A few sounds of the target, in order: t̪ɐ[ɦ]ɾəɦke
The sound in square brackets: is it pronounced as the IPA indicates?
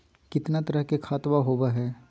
no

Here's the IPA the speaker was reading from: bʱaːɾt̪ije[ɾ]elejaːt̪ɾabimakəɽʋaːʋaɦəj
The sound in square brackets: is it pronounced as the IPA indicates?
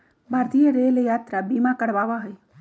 yes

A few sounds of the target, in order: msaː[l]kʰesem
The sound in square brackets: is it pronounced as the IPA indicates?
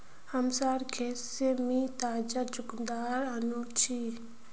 no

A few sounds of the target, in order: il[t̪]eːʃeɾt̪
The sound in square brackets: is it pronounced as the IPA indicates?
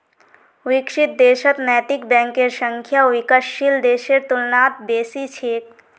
no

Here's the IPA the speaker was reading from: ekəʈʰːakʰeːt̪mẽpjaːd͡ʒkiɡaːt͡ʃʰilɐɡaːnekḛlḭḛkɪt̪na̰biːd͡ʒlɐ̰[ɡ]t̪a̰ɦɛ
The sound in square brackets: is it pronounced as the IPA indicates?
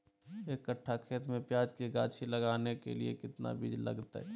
yes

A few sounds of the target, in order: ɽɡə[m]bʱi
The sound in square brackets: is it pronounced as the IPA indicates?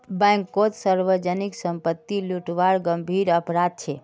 yes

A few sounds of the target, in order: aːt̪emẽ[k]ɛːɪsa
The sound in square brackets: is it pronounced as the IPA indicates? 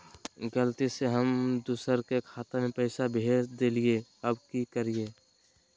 no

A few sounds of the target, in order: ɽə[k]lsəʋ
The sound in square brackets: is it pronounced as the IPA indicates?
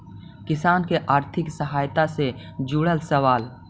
no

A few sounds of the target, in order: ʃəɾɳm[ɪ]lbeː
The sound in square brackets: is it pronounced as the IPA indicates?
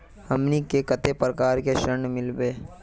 yes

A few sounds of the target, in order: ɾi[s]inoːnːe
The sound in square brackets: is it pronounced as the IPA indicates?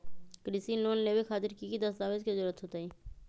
yes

